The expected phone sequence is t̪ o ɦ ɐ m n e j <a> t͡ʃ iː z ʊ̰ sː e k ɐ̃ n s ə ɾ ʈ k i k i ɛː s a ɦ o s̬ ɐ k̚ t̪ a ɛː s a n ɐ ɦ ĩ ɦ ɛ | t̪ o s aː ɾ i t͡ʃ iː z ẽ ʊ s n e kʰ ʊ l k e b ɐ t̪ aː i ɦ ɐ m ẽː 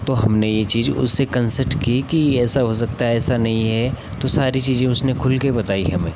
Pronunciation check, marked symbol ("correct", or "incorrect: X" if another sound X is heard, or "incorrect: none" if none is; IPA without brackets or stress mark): incorrect: e